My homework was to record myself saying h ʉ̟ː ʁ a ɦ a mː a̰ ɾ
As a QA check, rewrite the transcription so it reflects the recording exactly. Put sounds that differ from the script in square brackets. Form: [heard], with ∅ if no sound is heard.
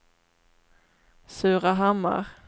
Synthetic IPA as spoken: [s] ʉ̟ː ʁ a ɦ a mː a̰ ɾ